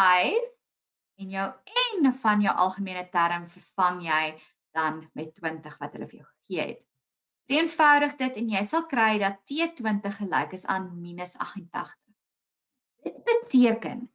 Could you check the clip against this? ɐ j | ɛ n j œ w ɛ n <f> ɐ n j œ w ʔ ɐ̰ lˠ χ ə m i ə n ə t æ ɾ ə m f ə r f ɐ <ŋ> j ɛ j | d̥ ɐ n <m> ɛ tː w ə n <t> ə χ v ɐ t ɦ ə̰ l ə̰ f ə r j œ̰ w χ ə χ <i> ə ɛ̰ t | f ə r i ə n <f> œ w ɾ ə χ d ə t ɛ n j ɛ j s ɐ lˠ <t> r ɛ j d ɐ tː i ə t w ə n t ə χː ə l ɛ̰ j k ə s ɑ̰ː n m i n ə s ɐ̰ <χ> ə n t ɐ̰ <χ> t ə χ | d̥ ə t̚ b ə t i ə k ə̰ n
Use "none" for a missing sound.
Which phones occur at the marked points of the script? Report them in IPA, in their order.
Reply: f, ŋ, m, t, i, f, k, χ, χ

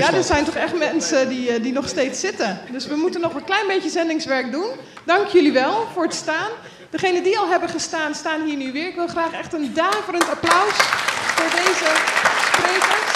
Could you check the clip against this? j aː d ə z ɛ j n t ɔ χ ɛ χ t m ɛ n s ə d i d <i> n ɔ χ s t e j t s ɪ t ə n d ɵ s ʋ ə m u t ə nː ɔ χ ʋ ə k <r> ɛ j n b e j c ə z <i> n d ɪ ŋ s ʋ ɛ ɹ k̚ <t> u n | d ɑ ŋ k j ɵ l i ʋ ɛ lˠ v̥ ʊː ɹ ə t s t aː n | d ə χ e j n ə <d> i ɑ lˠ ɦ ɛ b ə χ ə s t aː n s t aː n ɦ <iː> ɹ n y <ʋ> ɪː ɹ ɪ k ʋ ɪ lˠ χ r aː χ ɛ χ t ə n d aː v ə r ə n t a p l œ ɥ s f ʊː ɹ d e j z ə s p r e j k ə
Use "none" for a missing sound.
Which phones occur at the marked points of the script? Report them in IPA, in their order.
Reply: i, l, ɛ, d, d, iː, ʋ

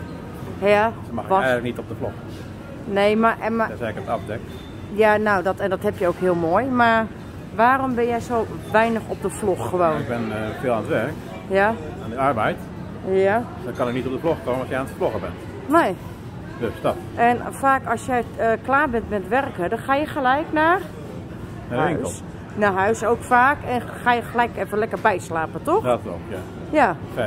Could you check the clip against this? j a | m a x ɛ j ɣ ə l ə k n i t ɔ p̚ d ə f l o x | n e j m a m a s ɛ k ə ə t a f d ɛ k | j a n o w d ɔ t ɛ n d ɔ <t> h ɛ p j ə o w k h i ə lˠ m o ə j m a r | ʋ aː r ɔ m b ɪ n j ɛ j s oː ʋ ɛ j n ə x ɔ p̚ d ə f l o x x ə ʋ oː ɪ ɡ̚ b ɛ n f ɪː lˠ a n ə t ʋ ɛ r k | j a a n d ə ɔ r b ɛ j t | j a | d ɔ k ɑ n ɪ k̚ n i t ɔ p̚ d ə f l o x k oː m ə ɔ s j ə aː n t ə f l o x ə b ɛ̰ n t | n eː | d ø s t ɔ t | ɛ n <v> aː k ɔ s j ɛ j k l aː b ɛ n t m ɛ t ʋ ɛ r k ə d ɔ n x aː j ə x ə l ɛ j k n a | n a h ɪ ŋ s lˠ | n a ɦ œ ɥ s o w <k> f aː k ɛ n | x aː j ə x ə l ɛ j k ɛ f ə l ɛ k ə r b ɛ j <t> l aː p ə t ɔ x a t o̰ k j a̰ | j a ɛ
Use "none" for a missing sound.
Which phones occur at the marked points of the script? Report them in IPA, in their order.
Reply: t, f, k, s

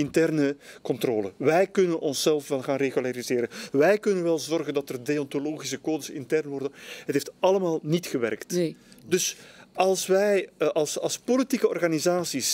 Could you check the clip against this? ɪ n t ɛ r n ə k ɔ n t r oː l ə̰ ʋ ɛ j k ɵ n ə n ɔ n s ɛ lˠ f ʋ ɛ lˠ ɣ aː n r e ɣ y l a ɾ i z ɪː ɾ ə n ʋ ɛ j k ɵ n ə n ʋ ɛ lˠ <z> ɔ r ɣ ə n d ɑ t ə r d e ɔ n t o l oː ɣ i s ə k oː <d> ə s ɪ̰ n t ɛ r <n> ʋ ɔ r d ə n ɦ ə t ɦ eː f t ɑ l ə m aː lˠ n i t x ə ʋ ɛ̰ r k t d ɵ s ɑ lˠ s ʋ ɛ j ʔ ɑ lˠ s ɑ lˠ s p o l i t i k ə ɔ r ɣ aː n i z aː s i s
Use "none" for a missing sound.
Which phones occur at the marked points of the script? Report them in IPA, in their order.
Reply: z, d, n

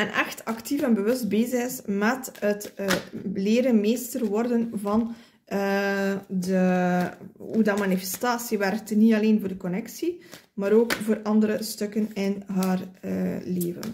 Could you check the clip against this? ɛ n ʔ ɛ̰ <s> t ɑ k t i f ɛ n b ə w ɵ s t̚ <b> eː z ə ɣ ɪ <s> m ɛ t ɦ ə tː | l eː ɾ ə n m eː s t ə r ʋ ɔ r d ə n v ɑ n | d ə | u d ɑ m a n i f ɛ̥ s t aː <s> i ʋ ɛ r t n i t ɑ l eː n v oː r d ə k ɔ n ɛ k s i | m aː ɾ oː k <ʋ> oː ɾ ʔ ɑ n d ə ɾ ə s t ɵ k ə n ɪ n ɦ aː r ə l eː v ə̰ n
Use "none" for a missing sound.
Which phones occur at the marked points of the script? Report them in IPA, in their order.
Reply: x, b, s, s, v

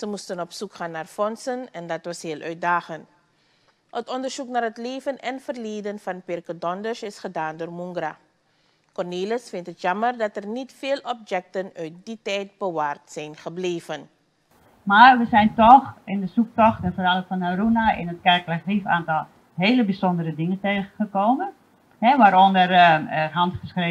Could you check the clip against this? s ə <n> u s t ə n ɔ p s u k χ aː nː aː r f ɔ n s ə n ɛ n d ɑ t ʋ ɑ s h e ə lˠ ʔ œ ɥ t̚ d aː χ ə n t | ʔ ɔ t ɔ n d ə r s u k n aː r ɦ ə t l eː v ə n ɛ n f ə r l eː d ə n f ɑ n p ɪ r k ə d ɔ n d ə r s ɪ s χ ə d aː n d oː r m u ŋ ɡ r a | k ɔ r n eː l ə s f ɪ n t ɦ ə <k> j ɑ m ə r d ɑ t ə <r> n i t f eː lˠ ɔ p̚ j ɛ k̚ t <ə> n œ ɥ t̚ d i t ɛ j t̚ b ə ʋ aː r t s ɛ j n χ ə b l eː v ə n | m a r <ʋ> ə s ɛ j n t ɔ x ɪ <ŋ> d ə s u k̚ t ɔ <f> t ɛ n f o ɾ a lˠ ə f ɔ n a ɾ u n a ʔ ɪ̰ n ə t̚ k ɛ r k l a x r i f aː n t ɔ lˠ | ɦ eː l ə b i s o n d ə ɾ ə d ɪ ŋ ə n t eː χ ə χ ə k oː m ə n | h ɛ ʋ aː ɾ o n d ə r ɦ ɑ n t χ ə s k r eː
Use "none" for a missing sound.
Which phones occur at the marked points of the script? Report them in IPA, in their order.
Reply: m, t, r, ə, ʋ, n, x

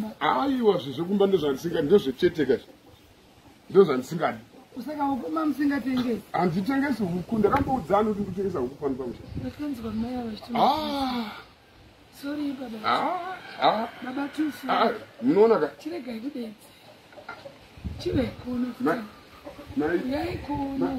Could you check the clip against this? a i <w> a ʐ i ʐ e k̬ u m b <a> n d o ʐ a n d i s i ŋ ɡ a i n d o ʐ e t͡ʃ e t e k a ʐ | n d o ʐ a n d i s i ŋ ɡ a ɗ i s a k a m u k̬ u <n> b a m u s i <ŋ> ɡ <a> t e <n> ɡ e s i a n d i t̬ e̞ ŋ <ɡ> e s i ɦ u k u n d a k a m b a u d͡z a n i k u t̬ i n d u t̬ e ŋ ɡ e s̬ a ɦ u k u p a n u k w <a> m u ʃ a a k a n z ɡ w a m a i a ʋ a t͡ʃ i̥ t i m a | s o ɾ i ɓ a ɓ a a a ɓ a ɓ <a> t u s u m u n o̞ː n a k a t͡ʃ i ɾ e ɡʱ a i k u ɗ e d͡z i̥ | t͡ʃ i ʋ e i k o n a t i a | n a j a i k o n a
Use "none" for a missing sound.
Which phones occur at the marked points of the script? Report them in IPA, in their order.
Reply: w, a, m, ŋ, a, ŋ, ɡ, a, a

